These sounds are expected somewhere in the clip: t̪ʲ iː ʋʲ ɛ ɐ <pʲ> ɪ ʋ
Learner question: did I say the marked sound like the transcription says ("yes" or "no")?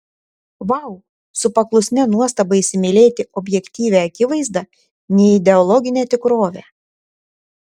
no